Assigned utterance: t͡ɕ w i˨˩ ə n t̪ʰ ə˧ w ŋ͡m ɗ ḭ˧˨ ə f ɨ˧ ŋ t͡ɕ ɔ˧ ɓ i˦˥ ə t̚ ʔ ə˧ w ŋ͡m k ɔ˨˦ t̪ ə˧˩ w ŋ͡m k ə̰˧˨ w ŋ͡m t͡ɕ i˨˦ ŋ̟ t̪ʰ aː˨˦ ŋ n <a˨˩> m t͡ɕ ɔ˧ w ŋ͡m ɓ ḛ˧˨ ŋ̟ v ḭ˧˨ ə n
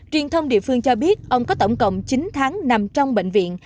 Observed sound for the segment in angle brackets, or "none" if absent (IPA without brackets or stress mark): a˨˩